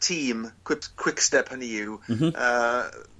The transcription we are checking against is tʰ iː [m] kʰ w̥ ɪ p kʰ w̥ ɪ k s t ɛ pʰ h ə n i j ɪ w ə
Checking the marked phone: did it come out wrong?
no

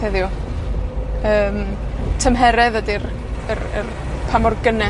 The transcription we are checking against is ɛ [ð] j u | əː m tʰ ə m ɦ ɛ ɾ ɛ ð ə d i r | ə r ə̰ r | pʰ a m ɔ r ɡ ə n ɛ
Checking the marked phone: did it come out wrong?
no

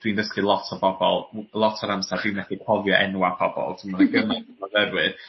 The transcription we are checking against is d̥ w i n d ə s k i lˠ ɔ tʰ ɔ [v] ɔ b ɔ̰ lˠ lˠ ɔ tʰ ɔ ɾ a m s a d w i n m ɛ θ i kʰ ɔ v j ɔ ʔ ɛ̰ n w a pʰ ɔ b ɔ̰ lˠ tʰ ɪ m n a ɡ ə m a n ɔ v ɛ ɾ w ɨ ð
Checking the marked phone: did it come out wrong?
yes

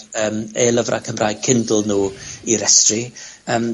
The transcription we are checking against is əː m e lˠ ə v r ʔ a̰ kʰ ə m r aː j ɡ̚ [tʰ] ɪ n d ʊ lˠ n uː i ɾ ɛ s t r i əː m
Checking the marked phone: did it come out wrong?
yes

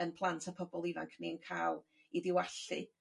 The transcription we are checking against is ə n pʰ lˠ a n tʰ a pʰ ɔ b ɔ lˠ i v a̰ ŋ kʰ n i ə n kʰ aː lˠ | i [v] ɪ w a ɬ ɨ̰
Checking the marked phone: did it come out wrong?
yes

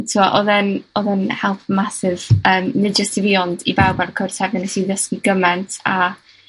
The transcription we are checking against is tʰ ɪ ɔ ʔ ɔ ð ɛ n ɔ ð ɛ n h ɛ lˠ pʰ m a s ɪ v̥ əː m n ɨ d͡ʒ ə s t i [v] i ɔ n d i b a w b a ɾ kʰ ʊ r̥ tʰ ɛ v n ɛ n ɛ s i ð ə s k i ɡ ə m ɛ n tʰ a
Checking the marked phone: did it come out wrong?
no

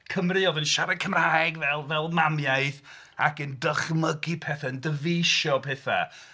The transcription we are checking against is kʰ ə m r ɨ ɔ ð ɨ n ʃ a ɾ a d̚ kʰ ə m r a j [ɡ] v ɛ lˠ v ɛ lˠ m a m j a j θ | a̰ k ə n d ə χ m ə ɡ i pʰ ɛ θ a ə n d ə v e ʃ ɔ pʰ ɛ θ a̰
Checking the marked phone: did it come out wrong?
no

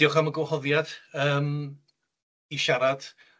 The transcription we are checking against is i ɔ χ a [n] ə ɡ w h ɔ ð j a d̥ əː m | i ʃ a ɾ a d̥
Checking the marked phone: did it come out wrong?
yes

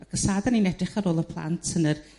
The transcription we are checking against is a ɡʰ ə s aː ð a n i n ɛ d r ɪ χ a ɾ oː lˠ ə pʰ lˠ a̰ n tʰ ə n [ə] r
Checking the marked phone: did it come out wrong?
no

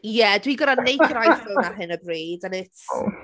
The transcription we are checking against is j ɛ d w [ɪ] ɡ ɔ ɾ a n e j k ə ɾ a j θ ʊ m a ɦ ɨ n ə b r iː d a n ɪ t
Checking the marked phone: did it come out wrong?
yes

